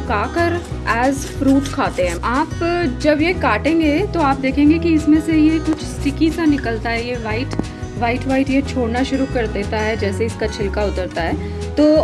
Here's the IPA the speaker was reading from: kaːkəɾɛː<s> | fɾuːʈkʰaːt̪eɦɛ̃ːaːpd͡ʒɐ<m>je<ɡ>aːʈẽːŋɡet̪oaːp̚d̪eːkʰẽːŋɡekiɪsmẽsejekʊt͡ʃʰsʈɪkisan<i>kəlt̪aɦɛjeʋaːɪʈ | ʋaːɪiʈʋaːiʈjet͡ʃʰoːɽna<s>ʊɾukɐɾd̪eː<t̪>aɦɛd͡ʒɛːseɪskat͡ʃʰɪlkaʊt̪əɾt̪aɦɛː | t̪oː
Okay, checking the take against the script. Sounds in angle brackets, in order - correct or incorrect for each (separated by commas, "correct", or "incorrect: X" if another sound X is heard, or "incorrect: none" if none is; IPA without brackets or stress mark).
incorrect: z, incorrect: b, incorrect: k, incorrect: ɪ, incorrect: ʃ, correct